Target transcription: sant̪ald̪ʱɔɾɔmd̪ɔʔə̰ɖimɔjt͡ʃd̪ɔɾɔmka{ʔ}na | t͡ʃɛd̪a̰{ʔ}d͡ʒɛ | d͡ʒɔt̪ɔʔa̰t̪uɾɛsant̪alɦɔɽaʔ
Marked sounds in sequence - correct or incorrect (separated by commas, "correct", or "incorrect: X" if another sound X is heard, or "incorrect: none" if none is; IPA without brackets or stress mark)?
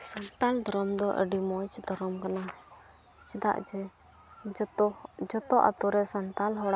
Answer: incorrect: none, correct